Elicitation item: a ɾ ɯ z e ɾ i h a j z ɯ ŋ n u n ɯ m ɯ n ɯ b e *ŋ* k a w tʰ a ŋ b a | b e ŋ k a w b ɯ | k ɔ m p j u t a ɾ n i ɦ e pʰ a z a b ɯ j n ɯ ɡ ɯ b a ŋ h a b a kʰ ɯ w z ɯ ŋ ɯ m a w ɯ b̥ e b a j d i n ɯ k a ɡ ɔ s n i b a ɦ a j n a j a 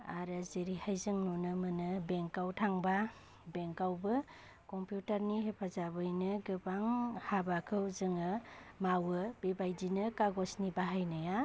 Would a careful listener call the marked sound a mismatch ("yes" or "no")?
no